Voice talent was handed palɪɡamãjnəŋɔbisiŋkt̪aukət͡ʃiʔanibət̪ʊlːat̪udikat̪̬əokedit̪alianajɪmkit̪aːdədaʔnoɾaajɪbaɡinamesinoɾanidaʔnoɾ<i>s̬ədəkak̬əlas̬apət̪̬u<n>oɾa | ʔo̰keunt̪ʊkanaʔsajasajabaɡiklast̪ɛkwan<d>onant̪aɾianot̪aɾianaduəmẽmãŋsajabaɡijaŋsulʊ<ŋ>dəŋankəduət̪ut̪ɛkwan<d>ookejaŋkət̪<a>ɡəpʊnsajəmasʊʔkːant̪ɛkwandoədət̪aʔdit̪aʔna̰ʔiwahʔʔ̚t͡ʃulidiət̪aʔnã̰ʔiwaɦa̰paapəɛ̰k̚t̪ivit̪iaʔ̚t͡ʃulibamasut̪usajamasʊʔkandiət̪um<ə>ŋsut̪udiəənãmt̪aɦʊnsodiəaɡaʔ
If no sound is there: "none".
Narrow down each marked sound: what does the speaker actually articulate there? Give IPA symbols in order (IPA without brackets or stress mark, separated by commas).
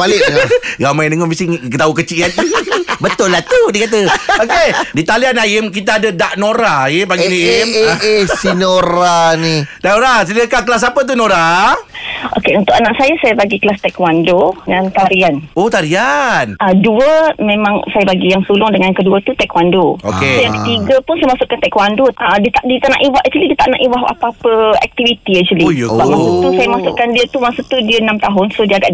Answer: a, n, d, ŋ, d, i, a